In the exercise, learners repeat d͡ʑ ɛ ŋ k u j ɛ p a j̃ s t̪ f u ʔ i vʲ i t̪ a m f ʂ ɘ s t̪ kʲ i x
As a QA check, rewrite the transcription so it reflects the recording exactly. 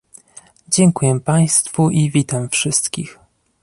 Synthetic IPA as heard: d͡ʑ ɛ ŋ k u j ɛ p a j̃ s t̪ f u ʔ i vʲ i t̪ a m f ʂ ɘ s t̪ kʲ i x